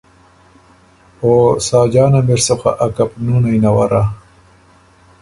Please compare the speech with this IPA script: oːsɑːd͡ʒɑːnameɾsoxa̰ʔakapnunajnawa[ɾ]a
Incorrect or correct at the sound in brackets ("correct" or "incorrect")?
correct